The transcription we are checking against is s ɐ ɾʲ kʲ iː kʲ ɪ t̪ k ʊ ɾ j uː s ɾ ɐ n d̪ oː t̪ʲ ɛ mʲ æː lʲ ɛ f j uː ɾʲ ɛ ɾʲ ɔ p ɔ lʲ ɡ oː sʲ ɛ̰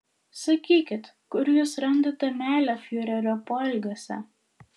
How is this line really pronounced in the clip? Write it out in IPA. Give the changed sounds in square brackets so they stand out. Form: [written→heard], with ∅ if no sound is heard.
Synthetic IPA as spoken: s ɐ [ɾʲ→∅] kʲ iː kʲ ɪ t̪ k ʊ ɾ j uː s ɾ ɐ n d̪ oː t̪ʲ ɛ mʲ æː lʲ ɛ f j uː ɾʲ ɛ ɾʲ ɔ p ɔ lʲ ɡ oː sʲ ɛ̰